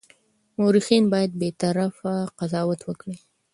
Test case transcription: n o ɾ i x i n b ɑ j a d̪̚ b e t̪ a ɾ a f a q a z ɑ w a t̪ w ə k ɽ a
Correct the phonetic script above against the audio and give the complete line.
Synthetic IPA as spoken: m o ɾ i x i n b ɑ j a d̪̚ b e t̪ a ɾ a f a q a z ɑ w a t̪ w ə k ɽ i